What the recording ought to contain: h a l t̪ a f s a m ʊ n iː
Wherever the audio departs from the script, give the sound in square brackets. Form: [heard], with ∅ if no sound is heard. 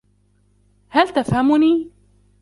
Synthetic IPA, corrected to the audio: h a l t̪ a f [h] a m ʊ n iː